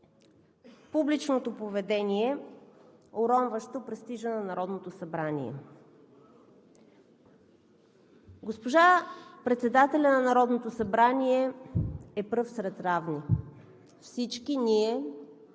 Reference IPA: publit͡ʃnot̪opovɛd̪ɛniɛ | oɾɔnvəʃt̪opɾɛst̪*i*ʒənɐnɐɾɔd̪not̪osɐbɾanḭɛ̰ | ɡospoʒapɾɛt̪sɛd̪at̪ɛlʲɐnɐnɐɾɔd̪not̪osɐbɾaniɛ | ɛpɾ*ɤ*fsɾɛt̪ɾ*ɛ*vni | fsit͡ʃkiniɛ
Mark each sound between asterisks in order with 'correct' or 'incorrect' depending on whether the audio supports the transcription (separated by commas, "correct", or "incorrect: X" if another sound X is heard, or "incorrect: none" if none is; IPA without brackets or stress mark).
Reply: correct, correct, incorrect: a